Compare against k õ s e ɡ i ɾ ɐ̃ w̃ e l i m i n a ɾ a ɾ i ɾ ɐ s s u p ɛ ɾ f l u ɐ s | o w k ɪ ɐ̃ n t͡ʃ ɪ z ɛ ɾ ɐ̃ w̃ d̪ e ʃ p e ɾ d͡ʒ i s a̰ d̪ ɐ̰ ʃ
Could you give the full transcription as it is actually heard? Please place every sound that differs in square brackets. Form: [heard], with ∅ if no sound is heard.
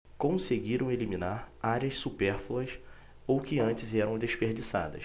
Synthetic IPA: k õ s e ɡ i ɾ ɐ̃ w̃ e l i m i n a ɾ a ɾ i [∅] ɐ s s u p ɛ ɾ f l u ɐ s | o w k ɪ ɐ̃ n t͡ʃ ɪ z ɛ ɾ ɐ̃ w̃ d̪ e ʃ p e ɾ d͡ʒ i s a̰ d̪ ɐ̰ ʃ

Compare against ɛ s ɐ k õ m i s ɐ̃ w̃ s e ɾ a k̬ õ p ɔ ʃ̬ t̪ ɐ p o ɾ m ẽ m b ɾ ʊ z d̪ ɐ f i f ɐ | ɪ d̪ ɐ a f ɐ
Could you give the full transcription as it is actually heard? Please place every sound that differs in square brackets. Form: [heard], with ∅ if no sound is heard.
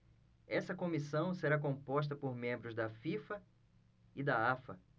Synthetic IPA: ɛ s ɐ k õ m i s ɐ̃ w̃ s e ɾ a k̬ õ p ɔ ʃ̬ t̪ ɐ p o ɾ m ẽ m b ɾ ʊ z d̪ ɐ f i f ɐ | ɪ d̪ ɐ a f ɐ

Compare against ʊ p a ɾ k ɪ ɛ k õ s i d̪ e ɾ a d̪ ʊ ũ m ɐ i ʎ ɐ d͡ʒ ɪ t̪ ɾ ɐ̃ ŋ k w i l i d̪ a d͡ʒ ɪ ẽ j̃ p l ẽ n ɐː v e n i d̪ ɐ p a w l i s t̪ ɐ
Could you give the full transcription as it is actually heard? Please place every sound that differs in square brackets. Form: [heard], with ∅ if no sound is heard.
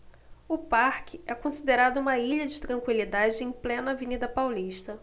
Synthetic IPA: ʊ p a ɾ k ɪ ɛ k õ s i d̪ e ɾ a d̪ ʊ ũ m ɐ i ʎ ɐ d͡ʒ ɪ t̪ ɾ ɐ̃ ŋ k w i l i d̪ a d͡ʒ ɪ ẽ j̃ p l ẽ n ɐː v e n i d̪ ɐ p a w l i [ʃ] t̪ ɐ

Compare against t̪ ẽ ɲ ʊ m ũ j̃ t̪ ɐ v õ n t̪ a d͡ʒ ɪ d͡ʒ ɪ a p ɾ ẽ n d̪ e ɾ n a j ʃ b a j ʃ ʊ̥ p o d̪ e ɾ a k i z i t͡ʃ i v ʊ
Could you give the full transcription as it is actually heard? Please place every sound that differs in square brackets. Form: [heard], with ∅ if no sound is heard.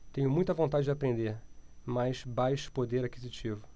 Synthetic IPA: t̪ ẽ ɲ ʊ m ũ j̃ t̪ ɐ v õ n t̪ a d͡ʒ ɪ d͡ʒ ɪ a p ɾ ẽ n d̪ e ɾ [m] a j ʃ b a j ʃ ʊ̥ p o d̪ e ɾ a k i z i t͡ʃ i v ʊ

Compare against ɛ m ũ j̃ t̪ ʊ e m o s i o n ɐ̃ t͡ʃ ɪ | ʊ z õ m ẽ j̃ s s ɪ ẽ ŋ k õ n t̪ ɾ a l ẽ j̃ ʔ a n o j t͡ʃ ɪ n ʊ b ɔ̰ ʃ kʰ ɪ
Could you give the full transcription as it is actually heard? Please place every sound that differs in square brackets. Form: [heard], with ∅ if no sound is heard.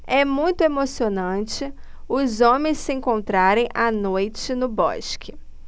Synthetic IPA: ɛ m ũ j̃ t̪ ʊ e m o s i o n ɐ̃ t͡ʃ ɪ | ʊ z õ m ẽ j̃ s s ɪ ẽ ŋ k õ n t̪ ɾ a [ɾ] ẽ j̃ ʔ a n o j t͡ʃ ɪ n ʊ b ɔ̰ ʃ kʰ ɪ

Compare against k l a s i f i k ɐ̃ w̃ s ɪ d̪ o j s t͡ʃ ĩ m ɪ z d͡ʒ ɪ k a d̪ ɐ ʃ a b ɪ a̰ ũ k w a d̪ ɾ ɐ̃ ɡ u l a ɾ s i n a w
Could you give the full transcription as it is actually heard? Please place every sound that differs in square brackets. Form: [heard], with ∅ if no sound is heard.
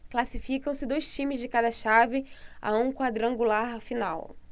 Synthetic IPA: k l a s i f i k ɐ̃ w̃ s ɪ d̪ o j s t͡ʃ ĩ m ɪ z d͡ʒ ɪ k a d̪ ɐ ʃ a [v] ɪ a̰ ũ k w a d̪ ɾ ɐ̃ ɡ u l a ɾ [f] i n a w

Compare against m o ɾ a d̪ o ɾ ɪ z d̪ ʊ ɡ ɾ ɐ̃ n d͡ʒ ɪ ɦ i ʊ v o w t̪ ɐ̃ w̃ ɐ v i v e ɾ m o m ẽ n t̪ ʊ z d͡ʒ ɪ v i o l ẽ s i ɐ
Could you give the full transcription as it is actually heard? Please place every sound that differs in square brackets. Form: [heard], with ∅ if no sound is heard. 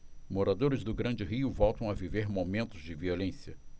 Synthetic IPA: m o ɾ a d̪ o ɾ ɪ z d̪ ʊ ɡ ɾ ɐ̃ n d͡ʒ ɪ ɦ i ʊ v [ɔ] w t̪ ɐ̃ w̃ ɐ v i v e ɾ m o m ẽ n t̪ ʊ z d͡ʒ ɪ v i o l ẽ s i ɐ

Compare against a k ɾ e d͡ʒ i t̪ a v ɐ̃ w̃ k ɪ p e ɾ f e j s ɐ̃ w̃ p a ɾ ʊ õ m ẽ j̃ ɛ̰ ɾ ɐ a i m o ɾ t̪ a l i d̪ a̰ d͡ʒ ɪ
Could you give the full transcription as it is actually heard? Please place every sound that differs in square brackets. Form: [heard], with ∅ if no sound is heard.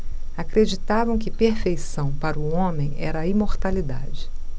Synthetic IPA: a k ɾ e d͡ʒ i t̪ a v ɐ̃ w̃ k ɪ p e ɾ f e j s ɐ̃ w̃ p a ɾ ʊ õ m ẽ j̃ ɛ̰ ɾ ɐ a i m o ɾ t̪ a l i d̪ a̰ d͡ʒ ɪ

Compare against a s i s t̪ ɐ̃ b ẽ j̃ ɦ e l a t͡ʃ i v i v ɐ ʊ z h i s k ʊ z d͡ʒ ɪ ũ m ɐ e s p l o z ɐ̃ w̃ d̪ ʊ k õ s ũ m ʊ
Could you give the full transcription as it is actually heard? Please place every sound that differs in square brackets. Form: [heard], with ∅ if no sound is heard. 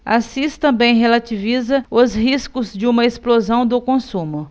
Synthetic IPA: a s i s t̪ ɐ̃ b ẽ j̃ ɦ e l a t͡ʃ i v i [z] ɐ ʊ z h i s k ʊ z d͡ʒ ɪ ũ m ɐ e s p l o z ɐ̃ w̃ d̪ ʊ k õ s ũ m ʊ

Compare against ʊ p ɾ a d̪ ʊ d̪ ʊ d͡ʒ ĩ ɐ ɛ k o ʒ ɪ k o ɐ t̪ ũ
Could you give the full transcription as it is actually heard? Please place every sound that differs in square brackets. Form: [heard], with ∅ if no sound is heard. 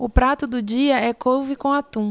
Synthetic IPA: ʊ p ɾ a [t̪] ʊ d̪ ʊ d͡ʒ [i] ɐ ɛ k o [v] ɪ k [õ] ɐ t̪ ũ

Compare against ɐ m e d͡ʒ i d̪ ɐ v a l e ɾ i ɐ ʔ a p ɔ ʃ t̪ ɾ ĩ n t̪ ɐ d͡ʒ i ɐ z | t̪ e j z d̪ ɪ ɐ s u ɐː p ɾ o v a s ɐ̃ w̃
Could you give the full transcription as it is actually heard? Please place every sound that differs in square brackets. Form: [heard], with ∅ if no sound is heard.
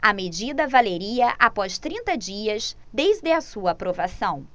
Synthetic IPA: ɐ m e d͡ʒ i d̪ ɐ v a l e ɾ i ɐ ʔ a p ɔ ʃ t̪ ɾ ĩ n t̪ ɐ d͡ʒ i ɐ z | [d̪] e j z d̪ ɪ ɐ s u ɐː p ɾ o v a s ɐ̃ w̃

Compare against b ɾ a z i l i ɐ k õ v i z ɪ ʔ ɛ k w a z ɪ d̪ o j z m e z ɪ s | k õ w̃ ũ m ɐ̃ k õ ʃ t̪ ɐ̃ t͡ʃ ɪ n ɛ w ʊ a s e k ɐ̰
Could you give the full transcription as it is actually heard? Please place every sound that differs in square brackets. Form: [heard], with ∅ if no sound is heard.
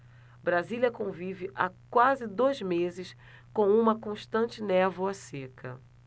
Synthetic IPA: b ɾ a z i l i ɐ k õ v i [v] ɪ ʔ [a] k w a z ɪ d̪ o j z m e z ɪ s | k õ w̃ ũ m [ɐ] k õ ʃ t̪ ɐ̃ t͡ʃ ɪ n ɛ [v] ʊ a s e k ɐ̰

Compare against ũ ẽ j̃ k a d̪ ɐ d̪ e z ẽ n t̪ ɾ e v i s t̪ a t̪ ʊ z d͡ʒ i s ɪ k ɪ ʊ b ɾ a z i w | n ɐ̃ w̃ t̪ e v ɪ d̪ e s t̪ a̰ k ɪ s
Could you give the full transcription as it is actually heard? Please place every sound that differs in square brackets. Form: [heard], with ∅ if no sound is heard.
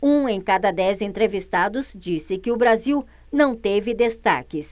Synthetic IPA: ũ ẽ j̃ k a d̪ ɐ d̪ [ɛ] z ẽ n t̪ ɾ e v i s t̪ a [d̪] ʊ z d͡ʒ i s ɪ k ɪ ʊ b ɾ a z i w | n ɐ̃ w̃ t̪ e v ɪ d̪ e s t̪ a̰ k ɪ s

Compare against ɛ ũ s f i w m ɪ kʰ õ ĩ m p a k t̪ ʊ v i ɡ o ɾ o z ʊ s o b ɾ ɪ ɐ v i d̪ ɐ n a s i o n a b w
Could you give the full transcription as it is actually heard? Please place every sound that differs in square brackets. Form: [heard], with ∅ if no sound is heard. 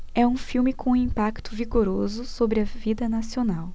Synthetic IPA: ɛ ũ [∅] f i w m ɪ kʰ õ ĩ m p a k t̪ ʊ v i ɡ o ɾ o z ʊ s o b ɾ ɪ ɐ v i d̪ ɐ n a s i o n a [∅] w

